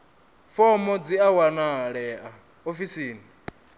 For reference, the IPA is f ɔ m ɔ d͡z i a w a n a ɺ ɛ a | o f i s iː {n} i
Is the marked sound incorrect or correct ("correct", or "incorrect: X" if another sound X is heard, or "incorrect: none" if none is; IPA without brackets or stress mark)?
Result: correct